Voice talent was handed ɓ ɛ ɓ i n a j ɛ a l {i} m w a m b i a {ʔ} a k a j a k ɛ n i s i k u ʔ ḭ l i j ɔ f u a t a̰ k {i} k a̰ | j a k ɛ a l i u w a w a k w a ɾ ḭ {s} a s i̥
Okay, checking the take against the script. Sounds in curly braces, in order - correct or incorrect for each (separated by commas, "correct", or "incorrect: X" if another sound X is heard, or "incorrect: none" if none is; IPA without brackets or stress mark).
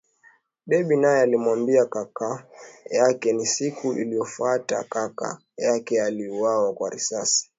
correct, incorrect: k, incorrect: a, correct